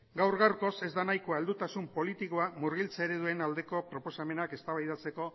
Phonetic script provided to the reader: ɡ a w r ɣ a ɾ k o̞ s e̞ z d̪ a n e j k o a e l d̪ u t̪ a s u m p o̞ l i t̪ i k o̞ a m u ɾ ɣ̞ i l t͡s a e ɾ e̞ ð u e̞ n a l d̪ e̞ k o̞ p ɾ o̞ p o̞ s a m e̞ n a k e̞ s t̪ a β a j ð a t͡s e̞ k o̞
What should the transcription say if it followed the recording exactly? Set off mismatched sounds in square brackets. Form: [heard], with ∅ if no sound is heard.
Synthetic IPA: ɡ a w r ɣ a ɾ k o̞ s e̞ z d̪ a n [a] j k o a e l d̪ u t̪ a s u m p o̞ l i t̪ i k o̞ a m u ɾ ɣ̞ i l t͡s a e ɾ e̞ ð u e̞ n a l d̪ e̞ k o̞ p ɾ o̞ p o̞ s a m e̞ n a k e̞ s t̪ a β a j ð a t͡s e̞ k o̞